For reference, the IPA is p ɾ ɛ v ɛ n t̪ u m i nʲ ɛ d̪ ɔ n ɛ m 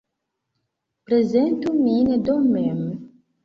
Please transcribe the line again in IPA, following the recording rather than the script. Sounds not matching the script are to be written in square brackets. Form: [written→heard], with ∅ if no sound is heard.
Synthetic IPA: p ɾ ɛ [v→z] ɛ n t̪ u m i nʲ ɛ d̪ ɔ [n→m] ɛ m